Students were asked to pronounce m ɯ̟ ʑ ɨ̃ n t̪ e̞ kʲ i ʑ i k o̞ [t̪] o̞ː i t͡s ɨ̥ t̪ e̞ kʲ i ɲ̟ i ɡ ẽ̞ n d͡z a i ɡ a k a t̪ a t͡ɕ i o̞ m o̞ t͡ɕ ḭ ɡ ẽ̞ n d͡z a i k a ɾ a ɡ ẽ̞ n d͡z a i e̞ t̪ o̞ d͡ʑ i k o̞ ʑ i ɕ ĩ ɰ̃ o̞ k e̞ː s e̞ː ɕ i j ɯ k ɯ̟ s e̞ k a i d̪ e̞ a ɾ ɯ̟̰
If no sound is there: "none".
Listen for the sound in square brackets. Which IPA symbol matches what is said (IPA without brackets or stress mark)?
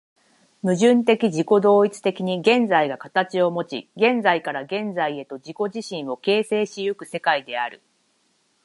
d̪